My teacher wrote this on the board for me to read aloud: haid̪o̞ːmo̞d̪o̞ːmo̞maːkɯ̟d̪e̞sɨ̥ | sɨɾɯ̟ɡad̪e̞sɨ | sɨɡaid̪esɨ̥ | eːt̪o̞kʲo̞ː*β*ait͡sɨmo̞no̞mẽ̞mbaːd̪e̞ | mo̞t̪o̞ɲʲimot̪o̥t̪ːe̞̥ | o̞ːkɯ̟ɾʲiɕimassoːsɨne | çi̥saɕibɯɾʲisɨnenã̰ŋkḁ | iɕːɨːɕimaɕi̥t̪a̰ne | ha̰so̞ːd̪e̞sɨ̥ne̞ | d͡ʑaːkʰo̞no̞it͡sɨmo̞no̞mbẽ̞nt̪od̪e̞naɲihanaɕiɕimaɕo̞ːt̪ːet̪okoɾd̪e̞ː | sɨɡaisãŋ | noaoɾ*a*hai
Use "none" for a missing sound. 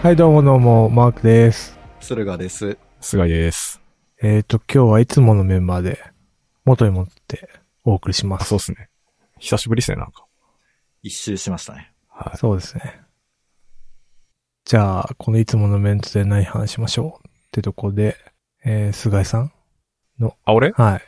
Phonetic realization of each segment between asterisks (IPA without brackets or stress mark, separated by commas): β, e